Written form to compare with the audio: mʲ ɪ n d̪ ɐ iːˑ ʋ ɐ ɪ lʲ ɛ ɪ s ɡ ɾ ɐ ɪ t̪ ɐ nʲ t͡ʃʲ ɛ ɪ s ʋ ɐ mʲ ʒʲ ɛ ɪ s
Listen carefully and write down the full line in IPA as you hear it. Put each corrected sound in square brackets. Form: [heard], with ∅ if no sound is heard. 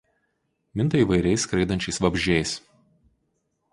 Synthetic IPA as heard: mʲ ɪ n [t̪] ɐ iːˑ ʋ ɐ ɪ [ɾʲ] ɛ ɪ s [k] ɾ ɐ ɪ [d̪] ɐ nʲ t͡ʃʲ ɛ ɪ s ʋ ɐ [bʲ] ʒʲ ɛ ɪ s

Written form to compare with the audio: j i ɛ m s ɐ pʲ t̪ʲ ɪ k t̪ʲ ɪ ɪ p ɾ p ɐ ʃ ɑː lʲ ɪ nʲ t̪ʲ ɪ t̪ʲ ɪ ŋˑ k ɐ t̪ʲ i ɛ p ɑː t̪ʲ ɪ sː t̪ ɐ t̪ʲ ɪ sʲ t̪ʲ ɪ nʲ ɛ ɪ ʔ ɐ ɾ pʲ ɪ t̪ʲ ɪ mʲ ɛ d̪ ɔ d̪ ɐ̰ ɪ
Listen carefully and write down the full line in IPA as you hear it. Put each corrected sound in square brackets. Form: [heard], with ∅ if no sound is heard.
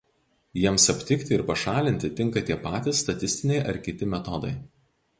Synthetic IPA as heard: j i ɛ m s ɐ pʲ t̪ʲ ɪ k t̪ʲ ɪ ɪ [∅] ɾ p ɐ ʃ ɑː lʲ ɪ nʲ t̪ʲ ɪ t̪ʲ ɪ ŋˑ k ɐ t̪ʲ i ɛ p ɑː t̪ʲ ɪ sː t̪ ɐ t̪ʲ ɪ sʲ t̪ʲ ɪ nʲ ɛ ɪ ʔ ɐ ɾ [kʲ] ɪ t̪ʲ ɪ mʲ ɛ [t̪] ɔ d̪ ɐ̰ ɪ

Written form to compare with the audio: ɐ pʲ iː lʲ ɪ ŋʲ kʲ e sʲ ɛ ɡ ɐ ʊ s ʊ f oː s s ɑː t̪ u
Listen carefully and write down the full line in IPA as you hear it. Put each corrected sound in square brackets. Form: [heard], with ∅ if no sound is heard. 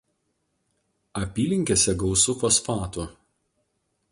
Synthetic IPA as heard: ɐ pʲ iː lʲ ɪ ŋʲ kʲ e sʲ ɛ ɡ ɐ ʊ s ʊ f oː s [f] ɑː t̪ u

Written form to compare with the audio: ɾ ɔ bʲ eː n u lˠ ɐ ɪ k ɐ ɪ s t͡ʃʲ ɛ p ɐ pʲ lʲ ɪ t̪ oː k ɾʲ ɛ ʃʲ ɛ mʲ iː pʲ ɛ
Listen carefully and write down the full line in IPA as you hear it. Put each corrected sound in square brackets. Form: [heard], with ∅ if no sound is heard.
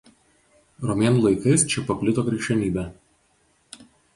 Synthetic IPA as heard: ɾ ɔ [mʲ] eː n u lˠ ɐ ɪ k ɐ ɪ s t͡ʃʲ ɛ p ɐ pʲ lʲ ɪ t̪ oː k ɾʲ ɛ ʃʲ ɛ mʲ iː [bʲ] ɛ

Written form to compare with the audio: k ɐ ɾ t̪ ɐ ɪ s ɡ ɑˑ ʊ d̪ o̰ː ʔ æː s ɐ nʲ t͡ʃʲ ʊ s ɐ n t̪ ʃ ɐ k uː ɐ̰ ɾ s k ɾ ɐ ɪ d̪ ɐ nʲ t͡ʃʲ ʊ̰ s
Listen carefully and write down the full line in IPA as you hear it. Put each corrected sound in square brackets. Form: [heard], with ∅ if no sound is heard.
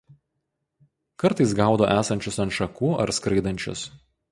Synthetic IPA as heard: k ɐ ɾ t̪ ɐ ɪ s ɡ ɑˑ ʊ d̪ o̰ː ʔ æː s ɐ nʲ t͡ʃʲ ʊ s ɐ n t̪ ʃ ɐ k uː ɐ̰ ɾ s k ɾ ɐ ɪ d̪ ɐ nʲ t͡ʃʲ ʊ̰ s

